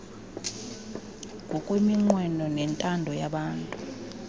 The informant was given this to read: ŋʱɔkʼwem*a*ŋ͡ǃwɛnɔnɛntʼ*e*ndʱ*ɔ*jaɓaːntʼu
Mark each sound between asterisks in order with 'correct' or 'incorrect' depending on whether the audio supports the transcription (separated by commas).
incorrect, incorrect, correct